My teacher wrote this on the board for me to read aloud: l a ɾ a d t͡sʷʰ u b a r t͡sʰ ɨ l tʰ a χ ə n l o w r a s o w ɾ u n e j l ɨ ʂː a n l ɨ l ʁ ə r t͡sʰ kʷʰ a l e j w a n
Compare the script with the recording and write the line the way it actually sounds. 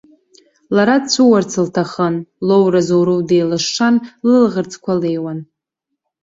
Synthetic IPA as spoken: l a ɾ a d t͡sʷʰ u w a r t͡sʰ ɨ l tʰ a χ ə n l o w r a z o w ɾ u d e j l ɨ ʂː a n l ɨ l ʁ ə r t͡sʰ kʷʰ a l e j w a n